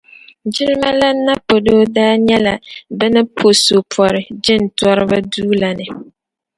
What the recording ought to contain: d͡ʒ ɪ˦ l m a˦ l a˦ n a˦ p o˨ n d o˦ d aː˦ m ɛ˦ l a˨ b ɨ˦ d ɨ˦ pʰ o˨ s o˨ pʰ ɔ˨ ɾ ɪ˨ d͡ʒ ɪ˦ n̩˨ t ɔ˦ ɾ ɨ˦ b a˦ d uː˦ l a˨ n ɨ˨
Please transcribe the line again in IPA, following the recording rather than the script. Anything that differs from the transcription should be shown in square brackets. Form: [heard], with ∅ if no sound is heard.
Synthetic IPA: d͡ʒ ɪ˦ l m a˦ l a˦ n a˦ p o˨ [∅] d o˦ d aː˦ [ɲ] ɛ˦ l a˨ b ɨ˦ [n] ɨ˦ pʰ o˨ s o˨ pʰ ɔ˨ ɾ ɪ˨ d͡ʒ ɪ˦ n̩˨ t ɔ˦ ɾ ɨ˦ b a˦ d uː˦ l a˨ n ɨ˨